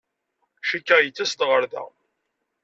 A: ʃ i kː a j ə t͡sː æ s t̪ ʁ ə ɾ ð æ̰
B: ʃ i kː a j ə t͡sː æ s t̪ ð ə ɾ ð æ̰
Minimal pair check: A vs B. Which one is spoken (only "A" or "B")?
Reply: A